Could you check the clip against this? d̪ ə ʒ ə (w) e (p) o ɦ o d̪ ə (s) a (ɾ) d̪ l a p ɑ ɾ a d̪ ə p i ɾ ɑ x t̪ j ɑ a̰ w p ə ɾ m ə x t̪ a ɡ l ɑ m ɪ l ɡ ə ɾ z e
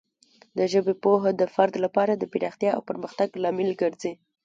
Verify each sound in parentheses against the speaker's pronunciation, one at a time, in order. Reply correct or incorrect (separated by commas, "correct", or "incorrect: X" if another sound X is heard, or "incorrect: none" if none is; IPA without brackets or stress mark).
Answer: incorrect: b, correct, incorrect: f, correct